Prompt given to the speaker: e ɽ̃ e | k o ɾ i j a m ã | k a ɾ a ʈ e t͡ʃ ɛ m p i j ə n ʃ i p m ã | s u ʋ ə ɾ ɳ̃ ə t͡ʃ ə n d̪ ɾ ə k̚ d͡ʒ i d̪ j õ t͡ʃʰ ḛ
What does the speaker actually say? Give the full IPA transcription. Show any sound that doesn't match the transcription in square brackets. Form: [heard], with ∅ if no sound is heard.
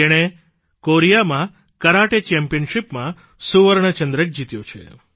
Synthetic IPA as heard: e ɽ̃ e | k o ɾ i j a m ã | k [ə] ɾ a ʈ e t͡ʃ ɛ m p i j ə n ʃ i p m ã | s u ʋ ə ɾ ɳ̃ ə t͡ʃ ə n d̪ ɾ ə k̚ d͡ʒ i [t̪] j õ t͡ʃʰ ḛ